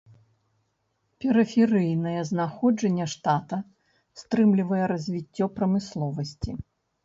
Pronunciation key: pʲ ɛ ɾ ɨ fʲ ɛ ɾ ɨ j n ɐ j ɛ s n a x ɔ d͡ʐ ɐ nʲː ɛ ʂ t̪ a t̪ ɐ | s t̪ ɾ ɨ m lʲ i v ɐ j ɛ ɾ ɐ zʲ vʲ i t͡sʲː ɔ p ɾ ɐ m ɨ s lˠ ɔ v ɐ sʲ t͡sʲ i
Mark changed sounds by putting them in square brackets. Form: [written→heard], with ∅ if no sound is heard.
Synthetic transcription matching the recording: pʲ ɛ ɾ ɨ fʲ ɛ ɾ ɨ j n ɐ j ɛ [s→z] n a x ɔ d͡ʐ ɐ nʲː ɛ ʂ t̪ a t̪ ɐ | s t̪ ɾ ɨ m lʲ i v ɐ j ɛ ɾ ɐ zʲ vʲ i t͡sʲː ɔ p ɾ ɐ m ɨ s lˠ ɔ v ɐ sʲ t͡sʲ i

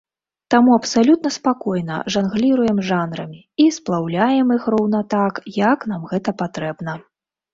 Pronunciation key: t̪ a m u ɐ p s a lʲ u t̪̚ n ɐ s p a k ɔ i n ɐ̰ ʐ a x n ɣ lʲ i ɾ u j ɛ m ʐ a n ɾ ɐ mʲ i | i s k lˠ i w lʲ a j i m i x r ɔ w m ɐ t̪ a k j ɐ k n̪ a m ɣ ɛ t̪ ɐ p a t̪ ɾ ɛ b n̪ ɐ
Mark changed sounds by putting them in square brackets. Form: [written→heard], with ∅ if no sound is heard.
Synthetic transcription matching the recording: t̪ a m u ɐ p s a lʲ u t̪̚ n ɐ s p a k ɔ [i→j] n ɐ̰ ʐ a [x→∅] n ɣ lʲ i ɾ u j ɛ m ʐ a n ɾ ɐ mʲ i | i s [k→p] lˠ [i→a] w lʲ a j [i→ɛ] m i x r ɔ w [m→n] ɐ t̪ a k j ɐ k n̪ a m ɣ ɛ t̪ ɐ p a t̪ ɾ ɛ b n̪ ɐ

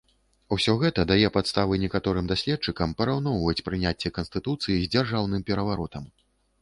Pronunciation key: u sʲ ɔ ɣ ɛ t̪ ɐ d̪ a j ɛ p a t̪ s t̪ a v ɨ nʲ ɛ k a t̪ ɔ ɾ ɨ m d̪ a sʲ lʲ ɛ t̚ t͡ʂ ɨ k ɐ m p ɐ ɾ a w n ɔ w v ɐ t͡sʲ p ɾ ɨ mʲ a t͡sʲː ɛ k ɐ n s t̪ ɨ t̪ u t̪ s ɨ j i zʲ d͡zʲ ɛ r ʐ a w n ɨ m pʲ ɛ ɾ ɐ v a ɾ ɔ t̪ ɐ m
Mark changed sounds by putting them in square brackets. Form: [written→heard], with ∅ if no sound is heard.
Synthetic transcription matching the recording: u sʲ ɔ ɣ ɛ t̪ ɐ d̪ a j ɛ p a t̪ s t̪ a v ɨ nʲ ɛ k a t̪ ɔ ɾ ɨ m d̪ a sʲ lʲ ɛ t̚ t͡ʂ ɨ k ɐ m p ɐ ɾ a w n ɔ w v ɐ t͡sʲ p ɾ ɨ [mʲ→nʲ] a t͡sʲː ɛ k ɐ n s t̪ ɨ t̪ u t̪ s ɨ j i zʲ d͡zʲ [ɛ→a] r ʐ a w n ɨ m pʲ ɛ ɾ ɐ v a ɾ ɔ t̪ ɐ m

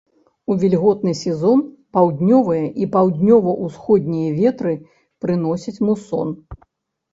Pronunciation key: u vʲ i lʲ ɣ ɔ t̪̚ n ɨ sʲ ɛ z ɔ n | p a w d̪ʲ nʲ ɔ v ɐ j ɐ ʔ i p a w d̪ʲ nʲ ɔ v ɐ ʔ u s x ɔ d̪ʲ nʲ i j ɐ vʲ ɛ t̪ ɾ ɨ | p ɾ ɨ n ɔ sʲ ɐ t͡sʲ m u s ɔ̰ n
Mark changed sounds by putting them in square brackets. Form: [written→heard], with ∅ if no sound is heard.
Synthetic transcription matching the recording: u vʲ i lʲ ɣ ɔ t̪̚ n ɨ sʲ ɛ z ɔ n | p a w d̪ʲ nʲ ɔ v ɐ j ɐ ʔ i p a w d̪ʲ nʲ ɔ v ɐ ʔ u s x ɔ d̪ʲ nʲ i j ɐ vʲ ɛ t̪ ɾ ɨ | p ɾ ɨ n ɔ sʲ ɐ t͡sʲ m u s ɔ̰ n

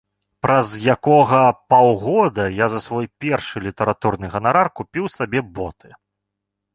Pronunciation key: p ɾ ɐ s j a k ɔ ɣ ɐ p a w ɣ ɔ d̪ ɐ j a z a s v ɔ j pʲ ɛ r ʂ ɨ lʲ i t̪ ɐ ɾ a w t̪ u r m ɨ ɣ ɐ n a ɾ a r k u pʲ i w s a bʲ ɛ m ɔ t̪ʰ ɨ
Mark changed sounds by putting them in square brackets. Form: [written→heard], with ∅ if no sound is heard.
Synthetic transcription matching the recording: p ɾ ɐ [s→z] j a k ɔ ɣ ɐ p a w ɣ ɔ d̪ ɐ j a z [a→ɐ] s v ɔ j pʲ ɛ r ʂ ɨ lʲ i t̪ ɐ ɾ a [w→∅] t̪ u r [m→n] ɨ ɣ ɐ n a ɾ a r k u pʲ i w s a bʲ ɛ [m→b] ɔ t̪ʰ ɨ

